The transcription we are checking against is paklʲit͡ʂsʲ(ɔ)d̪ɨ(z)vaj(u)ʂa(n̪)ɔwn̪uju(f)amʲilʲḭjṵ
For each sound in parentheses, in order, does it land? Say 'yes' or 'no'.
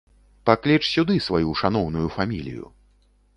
no, no, yes, yes, yes

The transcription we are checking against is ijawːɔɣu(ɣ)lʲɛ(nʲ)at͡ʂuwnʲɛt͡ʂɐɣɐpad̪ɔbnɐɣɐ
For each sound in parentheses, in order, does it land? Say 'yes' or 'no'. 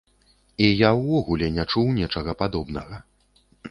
no, yes

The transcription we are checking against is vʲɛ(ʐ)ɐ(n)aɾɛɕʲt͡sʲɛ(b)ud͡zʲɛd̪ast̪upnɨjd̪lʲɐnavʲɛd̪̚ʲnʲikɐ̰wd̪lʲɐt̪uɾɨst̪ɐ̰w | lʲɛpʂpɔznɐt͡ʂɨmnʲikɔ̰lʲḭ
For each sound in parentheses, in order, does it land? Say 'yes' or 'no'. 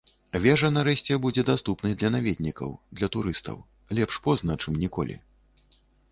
yes, yes, yes

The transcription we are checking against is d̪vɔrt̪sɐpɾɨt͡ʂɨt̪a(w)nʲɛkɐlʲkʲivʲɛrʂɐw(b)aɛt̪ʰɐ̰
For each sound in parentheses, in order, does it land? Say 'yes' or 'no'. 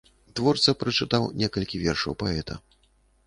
yes, no

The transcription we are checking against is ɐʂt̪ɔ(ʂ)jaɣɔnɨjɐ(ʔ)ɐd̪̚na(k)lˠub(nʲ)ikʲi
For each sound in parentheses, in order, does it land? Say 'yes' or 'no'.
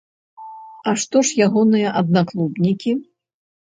yes, yes, yes, yes

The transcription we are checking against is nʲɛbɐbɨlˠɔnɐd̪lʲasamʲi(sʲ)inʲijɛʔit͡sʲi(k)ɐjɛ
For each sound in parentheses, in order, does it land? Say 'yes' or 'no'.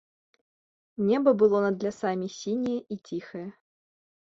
yes, no

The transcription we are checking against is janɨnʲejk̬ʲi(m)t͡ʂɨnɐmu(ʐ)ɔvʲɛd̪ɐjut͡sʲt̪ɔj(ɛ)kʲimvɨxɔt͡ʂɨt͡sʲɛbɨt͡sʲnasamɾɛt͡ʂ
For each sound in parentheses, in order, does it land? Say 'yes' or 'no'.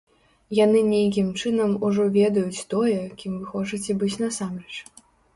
yes, yes, yes

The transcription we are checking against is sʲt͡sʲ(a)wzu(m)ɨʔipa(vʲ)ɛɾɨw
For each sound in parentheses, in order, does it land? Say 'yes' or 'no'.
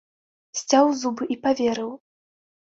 yes, no, yes

